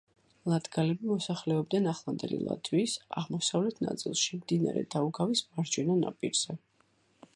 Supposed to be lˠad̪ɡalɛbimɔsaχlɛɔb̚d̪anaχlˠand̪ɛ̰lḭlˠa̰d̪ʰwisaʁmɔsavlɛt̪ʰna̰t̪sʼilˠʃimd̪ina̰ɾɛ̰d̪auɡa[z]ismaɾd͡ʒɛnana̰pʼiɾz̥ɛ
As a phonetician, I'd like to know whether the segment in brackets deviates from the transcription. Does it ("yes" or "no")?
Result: yes